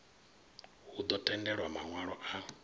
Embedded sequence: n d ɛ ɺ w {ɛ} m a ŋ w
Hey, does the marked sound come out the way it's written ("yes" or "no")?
no